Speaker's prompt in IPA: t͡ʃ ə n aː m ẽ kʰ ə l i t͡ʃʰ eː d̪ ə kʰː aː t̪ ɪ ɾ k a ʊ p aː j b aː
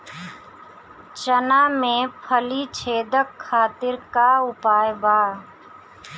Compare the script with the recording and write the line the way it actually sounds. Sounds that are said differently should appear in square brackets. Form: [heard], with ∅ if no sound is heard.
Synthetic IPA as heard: t͡ʃ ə n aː m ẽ [pʰ] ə l i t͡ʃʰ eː d̪ ə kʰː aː t̪ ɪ ɾ k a ʊ p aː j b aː